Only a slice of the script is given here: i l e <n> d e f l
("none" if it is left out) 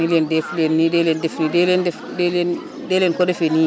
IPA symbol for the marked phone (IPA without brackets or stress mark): n